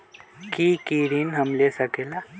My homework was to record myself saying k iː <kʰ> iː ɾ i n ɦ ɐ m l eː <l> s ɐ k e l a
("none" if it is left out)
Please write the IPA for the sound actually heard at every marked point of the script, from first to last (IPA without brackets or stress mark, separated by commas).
k, none